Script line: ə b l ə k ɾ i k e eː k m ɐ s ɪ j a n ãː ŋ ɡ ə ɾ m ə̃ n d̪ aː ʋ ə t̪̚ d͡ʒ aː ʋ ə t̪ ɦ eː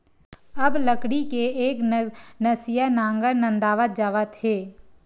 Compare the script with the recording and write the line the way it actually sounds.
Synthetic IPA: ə b l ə k ɽ i k e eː k n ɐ s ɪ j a n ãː ŋ ɡ ə ɾ n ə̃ n d̪ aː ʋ ə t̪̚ d͡ʒ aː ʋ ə t̪ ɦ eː